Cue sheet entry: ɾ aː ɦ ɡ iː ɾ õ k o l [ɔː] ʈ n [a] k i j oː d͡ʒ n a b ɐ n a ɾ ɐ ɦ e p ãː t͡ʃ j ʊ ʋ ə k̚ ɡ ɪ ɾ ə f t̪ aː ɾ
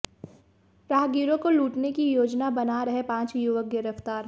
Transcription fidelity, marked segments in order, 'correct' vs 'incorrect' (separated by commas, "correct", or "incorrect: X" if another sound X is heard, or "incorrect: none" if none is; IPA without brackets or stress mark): incorrect: uː, incorrect: e